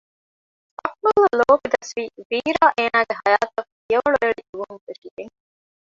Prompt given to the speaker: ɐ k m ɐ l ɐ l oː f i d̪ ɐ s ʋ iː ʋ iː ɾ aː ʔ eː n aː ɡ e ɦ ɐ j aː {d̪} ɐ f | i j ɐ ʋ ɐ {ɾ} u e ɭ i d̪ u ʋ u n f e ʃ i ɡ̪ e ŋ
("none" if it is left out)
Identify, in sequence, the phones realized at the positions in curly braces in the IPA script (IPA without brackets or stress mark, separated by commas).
t̪, ɭ